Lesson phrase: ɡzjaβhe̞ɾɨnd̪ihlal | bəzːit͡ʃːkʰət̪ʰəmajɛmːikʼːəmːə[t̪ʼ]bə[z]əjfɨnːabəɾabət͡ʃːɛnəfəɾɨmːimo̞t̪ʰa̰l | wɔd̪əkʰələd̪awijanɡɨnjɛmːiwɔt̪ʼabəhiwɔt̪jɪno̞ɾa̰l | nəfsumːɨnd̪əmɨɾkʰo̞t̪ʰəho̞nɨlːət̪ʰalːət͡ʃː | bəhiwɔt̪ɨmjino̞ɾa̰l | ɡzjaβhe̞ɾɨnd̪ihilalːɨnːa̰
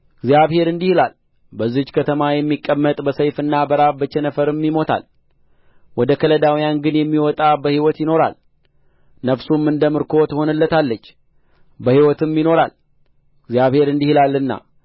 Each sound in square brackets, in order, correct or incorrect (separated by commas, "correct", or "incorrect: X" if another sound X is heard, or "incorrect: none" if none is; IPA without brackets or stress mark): correct, incorrect: s